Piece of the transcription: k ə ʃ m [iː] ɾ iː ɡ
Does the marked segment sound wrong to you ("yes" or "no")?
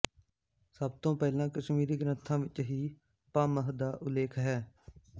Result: no